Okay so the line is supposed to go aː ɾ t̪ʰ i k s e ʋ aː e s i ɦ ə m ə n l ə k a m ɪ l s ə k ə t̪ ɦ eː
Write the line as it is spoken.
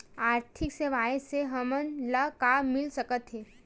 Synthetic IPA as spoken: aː ɾ t̪ʰ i k s e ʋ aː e s e ɦ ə m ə n l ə k a m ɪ l s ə k ə t̪ ɦ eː